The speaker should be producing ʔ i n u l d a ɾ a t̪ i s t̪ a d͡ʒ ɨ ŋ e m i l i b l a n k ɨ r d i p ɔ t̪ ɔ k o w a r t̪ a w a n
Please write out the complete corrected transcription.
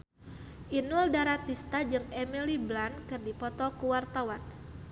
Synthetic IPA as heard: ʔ i n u l d a ɾ a t̪ i s t̪ a d͡ʒ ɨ ŋ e m i l i b l a n k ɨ r d i p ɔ t̪ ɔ k u w a r t̪ a w a n